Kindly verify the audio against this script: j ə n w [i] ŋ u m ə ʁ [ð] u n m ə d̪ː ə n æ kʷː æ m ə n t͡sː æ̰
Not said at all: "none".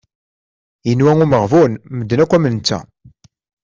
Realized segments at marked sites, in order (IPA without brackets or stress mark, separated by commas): æ, v